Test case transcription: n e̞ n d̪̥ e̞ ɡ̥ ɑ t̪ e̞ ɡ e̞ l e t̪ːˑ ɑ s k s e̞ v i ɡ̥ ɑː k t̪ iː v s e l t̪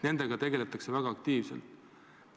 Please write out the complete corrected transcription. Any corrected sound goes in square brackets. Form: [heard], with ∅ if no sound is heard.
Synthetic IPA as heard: n e̞ n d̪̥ e̞ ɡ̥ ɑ t̪ e̞ ɡ e̞ l e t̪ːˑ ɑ [∅] k s e̞ v [æ] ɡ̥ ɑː k t̪ iː v s e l t̪